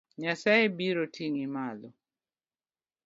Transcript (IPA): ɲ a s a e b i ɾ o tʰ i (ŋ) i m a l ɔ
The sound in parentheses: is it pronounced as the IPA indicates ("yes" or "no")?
yes